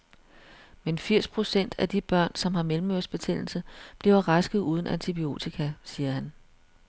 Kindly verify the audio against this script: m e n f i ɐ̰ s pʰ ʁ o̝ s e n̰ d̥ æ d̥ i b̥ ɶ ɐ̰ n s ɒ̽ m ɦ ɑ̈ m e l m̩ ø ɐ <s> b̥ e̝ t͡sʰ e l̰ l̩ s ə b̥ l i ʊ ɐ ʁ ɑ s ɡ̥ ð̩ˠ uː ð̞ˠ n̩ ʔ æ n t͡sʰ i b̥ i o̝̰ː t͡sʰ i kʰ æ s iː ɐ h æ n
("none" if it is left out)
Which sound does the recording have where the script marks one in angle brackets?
s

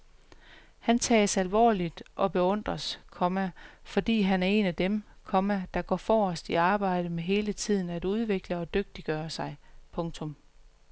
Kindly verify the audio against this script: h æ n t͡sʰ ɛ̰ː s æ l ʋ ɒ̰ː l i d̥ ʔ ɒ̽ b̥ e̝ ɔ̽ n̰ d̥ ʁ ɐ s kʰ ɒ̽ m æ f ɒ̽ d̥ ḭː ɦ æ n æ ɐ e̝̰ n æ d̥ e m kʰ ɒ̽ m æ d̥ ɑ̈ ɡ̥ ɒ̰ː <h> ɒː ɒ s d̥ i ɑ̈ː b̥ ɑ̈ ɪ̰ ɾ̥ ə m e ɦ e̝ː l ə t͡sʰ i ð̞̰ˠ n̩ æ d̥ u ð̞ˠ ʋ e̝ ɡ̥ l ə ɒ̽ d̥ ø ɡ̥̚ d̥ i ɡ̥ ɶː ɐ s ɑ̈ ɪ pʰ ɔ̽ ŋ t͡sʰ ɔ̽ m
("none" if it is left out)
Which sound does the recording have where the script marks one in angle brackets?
f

